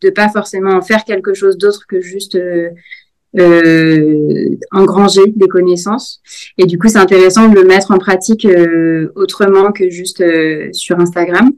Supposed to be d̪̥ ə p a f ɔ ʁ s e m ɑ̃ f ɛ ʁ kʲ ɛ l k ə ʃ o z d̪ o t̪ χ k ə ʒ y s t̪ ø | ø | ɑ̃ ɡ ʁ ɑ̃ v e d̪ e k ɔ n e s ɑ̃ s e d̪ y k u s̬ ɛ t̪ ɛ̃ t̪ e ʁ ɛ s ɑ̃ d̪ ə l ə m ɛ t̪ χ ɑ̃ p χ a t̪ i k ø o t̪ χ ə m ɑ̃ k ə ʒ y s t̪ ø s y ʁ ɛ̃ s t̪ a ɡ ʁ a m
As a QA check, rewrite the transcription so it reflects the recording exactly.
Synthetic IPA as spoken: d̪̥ ə p a f ɔ ʁ s e m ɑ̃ f ɛ ʁ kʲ ɛ l k ə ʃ o z d̪ o t̪ χ k ə ʒ y s t̪ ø | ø | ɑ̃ ɡ ʁ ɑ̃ ʒ e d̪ e k ɔ n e s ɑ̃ s e d̪ y k u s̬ ɛ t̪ ɛ̃ t̪ e ʁ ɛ s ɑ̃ d̪ ə l ə m ɛ t̪ χ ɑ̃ p χ a t̪ i k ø o t̪ χ ə m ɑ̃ k ə ʒ y s t̪ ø s y ʁ ɛ̃ s t̪ a ɡ ʁ a m